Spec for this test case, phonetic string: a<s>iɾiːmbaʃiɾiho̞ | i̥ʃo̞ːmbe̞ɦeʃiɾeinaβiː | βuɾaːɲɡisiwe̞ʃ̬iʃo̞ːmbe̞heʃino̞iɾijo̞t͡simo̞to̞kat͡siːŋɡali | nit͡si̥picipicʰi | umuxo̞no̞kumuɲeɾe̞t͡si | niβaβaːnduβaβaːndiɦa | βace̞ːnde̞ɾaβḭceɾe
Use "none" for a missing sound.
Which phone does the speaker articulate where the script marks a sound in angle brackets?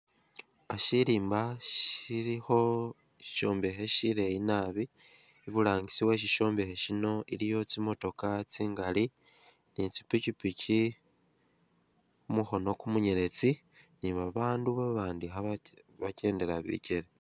ʃ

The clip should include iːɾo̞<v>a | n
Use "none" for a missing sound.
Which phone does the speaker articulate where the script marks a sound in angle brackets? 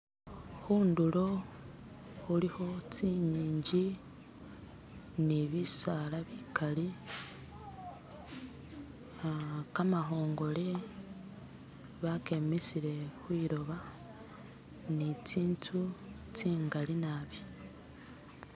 β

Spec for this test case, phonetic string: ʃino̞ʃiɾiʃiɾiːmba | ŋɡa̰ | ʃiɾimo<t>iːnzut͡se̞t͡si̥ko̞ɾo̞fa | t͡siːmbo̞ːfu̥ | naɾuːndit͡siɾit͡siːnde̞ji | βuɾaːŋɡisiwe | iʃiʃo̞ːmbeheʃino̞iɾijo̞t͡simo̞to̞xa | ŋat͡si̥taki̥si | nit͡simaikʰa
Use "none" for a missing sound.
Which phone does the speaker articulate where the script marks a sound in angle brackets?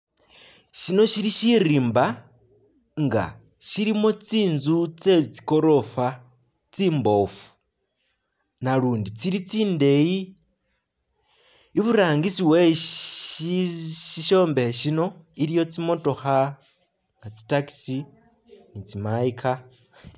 t͡s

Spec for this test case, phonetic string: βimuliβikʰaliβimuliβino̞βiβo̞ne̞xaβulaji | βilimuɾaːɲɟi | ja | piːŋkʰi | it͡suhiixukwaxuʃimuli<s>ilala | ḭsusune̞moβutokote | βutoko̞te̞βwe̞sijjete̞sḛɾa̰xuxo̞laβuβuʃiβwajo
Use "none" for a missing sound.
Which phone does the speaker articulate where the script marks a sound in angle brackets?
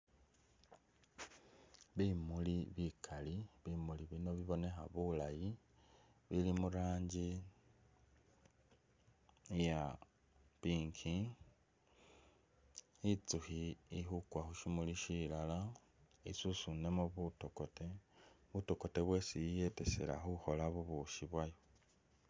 ʃ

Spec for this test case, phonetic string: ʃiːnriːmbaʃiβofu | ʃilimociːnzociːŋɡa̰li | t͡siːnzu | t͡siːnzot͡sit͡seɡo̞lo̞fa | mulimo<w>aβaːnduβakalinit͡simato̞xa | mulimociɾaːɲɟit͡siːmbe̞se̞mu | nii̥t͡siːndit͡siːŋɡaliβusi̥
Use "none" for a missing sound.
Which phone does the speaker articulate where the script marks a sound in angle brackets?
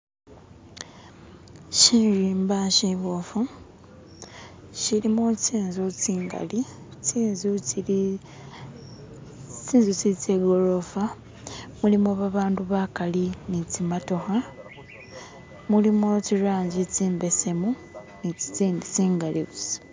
β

